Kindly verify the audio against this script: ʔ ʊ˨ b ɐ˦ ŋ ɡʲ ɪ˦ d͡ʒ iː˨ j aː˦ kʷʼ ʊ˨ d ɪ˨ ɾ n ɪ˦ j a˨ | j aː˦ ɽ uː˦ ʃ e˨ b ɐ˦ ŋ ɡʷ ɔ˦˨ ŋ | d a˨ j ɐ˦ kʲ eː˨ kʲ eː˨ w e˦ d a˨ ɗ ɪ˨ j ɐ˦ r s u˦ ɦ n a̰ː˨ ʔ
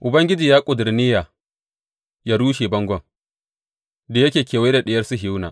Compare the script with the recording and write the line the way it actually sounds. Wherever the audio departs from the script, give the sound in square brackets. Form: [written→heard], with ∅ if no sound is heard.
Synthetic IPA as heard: ʔ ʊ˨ b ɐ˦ ŋ ɡʲ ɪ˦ d͡ʒ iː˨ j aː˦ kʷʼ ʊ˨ d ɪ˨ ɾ n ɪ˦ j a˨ | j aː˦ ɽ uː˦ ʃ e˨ b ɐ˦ ŋ ɡʷ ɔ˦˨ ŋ | d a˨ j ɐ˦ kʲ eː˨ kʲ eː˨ w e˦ d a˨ ɗ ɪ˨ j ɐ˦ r s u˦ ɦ n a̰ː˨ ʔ